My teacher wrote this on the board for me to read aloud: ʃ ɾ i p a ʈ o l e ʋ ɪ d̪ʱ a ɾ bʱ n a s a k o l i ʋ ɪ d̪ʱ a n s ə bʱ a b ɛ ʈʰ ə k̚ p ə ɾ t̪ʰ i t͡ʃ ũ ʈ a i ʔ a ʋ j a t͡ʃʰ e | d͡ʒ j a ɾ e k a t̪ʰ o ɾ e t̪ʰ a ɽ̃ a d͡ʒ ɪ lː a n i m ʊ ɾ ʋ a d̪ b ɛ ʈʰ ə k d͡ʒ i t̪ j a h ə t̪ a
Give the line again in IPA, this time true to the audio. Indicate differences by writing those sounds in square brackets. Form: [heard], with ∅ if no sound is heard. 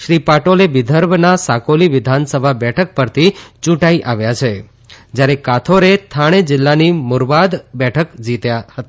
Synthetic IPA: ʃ ɾ i p a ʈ o l e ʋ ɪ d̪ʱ [ə] ɾ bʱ n a s a k o l i ʋ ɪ d̪ʱ a n s ə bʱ a b ɛ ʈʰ ə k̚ p ə ɾ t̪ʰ i t͡ʃ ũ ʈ a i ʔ a ʋ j a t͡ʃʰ e | d͡ʒ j a ɾ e k a t̪ʰ o ɾ e t̪ʰ a ɽ̃ [e] d͡ʒ ɪ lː a n i m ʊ ɾ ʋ a d̪ b ɛ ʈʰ ə k d͡ʒ i t̪ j a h ə t̪ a

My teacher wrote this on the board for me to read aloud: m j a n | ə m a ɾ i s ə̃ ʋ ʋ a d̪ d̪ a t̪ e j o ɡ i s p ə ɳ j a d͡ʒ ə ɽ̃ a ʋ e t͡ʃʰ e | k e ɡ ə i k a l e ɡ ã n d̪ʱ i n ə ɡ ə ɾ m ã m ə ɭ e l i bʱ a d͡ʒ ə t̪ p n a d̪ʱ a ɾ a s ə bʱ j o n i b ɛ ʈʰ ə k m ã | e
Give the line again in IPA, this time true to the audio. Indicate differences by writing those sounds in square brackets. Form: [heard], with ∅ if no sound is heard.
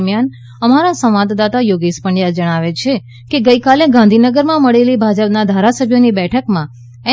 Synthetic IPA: m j a n | ə m a ɾ [a] s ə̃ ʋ ʋ a d̪ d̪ a t̪ [a] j o ɡ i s p ə ɳ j a d͡ʒ ə ɽ̃ a ʋ e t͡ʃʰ e | k e ɡ ə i k a l e ɡ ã n d̪ʱ i n ə ɡ ə ɾ m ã m ə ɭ e l i bʱ a d͡ʒ ə [∅] p n a d̪ʱ a ɾ a s ə bʱ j o n i b ɛ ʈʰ ə k m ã | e

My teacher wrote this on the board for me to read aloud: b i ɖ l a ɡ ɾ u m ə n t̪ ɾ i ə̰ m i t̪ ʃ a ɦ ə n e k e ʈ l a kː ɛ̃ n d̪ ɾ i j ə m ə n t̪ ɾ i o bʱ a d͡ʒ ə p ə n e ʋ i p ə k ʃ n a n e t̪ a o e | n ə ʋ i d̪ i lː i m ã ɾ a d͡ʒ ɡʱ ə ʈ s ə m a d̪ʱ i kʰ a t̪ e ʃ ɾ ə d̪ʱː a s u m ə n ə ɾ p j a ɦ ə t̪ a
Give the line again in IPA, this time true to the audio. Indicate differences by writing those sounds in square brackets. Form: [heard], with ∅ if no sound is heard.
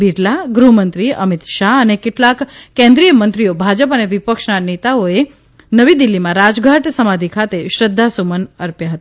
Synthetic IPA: b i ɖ l a ɡ ɾ u m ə n t̪ ɾ i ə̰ m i t̪ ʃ a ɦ ə n e k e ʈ l a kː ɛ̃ n d̪ ɾ i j ə m ə n t̪ ɾ i o bʱ a d͡ʒ ə p ə n e ʋ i p ə k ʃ n a n e t̪ a o e | n ə ʋ i d̪ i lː i m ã ɾ a d͡ʒ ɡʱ [a] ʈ s ə m a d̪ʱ i kʰ a t̪ e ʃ ɾ ə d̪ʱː a s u m ə n ə ɾ p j a ɦ ə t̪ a

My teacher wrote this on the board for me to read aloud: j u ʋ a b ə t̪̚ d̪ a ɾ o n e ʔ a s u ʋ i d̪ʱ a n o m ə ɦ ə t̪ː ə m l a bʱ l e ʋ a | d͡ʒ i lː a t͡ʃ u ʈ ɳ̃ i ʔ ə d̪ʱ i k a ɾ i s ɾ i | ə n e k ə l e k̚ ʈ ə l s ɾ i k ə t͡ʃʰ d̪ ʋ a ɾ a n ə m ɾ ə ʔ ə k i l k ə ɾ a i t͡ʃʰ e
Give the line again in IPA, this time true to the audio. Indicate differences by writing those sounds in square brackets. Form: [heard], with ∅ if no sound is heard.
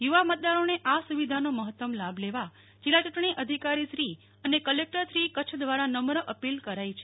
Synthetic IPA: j u ʋ a [m] ə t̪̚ d̪ a ɾ o n e ʔ a s u ʋ i d̪ʱ a n o m ə ɦ ə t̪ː ə m l a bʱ l e ʋ a | d͡ʒ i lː a t͡ʃ u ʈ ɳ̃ i ʔ ə d̪ʱ i k a ɾ i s ɾ i | ə n e k ə l e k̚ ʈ ə [ɾ] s ɾ i k ə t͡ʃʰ d̪ ʋ a ɾ a n ə m ɾ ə ʔ ə [p] i l k ə ɾ a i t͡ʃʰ e

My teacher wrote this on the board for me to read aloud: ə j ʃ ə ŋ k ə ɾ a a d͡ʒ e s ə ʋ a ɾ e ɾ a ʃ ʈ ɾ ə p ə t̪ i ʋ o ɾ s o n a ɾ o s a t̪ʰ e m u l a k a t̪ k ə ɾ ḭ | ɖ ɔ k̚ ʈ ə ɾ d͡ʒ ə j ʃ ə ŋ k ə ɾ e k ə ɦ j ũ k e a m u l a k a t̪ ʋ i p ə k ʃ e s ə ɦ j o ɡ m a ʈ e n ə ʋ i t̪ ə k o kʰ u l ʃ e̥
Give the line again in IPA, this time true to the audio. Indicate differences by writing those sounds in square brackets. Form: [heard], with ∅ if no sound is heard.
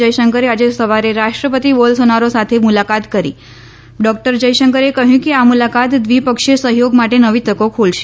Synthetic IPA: ə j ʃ ə ŋ k ə ɾ [e] a d͡ʒ e s ə ʋ a ɾ e ɾ a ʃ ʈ ɾ ə p ə t̪ i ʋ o [l] s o n a ɾ o s a t̪ʰ e m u l a k a t̪ k ə ɾ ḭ | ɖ ɔ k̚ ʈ ə ɾ d͡ʒ ə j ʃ ə ŋ k ə ɾ e k ə ɦ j ũ k e a m u l a k a t̪ ʋ i p ə k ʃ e s ə ɦ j o ɡ m a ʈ e n ə ʋ i t̪ ə k o kʰ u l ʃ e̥

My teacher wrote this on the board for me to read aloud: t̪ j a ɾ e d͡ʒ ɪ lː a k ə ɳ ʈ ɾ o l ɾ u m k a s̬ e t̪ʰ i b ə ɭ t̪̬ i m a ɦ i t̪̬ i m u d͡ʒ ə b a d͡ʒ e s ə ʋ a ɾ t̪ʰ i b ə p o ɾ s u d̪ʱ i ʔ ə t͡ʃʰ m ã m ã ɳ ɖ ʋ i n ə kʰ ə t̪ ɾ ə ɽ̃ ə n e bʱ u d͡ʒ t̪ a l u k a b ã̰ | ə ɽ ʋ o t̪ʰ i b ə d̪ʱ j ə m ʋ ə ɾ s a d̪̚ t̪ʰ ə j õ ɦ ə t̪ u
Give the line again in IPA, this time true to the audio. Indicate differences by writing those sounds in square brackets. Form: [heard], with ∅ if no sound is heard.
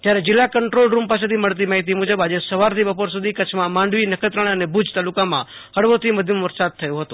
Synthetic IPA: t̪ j a ɾ e d͡ʒ ɪ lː a k ə ɳ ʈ ɾ o l ɾ u m [p] a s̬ e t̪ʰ i [m] ə ɭ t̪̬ i m a ɦ i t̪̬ i m u d͡ʒ ə b a d͡ʒ e s ə ʋ a ɾ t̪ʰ i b ə p o ɾ s u d̪ʱ i [k] ə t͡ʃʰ m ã m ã ɳ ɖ ʋ i n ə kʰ ə t̪ ɾ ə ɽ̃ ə n e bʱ u d͡ʒ t̪ a l u k a [m] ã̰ | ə ɽ ʋ o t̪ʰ i [m] ə d̪ʱ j ə m ʋ ə ɾ s a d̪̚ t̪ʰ ə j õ ɦ ə t̪ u

